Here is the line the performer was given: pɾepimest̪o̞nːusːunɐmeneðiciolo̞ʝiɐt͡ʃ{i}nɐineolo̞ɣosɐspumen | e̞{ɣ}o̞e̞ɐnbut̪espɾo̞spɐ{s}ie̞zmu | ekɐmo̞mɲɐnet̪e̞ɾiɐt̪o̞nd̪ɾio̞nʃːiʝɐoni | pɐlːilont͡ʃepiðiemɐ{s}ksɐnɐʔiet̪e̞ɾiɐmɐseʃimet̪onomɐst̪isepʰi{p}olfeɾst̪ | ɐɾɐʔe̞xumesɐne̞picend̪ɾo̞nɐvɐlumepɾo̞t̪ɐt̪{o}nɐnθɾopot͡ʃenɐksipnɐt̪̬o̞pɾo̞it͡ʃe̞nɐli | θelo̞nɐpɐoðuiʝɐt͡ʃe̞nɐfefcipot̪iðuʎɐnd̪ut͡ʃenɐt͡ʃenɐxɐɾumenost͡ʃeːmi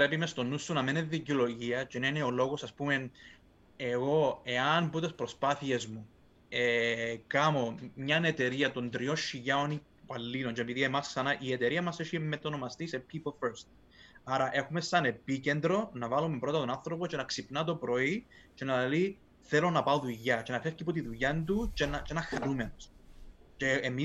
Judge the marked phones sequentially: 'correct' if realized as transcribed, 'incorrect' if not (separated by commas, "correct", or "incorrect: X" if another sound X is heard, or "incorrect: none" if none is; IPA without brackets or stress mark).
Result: incorrect: e, correct, incorrect: θ, correct, correct, correct